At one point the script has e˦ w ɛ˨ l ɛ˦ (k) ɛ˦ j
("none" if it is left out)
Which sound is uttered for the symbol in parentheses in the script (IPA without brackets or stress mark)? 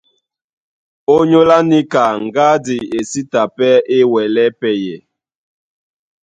p